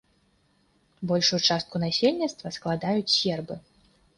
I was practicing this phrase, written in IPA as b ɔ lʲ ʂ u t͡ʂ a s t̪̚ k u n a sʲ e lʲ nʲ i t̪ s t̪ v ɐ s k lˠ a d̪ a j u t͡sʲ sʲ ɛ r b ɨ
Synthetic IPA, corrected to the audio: b ɔ lʲ ʂ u t͡ʂ a s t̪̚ k u n a sʲ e lʲ nʲ i t̪ s t̪ v ɐ s k lˠ a d̪ a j u t͡sʲ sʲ ɛ r b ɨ